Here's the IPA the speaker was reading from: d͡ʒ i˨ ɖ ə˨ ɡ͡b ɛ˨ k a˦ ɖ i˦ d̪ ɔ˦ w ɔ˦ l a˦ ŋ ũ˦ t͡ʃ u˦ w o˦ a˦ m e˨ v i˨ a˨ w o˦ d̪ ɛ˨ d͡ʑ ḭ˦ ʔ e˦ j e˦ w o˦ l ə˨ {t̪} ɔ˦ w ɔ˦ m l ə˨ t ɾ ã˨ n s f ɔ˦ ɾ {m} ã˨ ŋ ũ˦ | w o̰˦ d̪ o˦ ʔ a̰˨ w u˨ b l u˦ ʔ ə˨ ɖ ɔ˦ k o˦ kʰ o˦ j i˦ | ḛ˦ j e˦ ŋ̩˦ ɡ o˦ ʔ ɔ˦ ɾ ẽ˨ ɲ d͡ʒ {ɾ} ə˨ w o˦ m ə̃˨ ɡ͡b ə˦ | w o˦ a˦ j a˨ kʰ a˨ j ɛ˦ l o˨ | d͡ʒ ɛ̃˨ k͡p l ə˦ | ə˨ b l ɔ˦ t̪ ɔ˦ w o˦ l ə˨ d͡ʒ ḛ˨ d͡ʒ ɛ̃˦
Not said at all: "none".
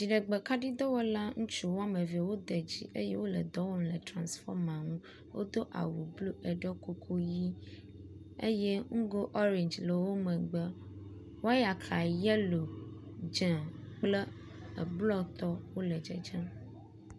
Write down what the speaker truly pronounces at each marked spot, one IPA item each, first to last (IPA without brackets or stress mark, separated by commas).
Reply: d̪, m, l